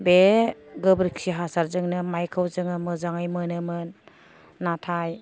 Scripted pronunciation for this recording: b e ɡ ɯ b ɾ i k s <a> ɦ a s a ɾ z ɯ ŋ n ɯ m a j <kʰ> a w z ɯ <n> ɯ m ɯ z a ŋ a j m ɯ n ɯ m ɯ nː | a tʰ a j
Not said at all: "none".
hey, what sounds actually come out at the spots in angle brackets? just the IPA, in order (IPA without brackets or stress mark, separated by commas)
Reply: i, kʰ, ŋ